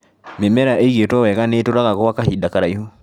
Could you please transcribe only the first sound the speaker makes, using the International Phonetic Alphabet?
m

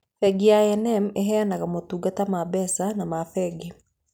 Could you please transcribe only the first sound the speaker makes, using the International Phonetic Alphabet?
f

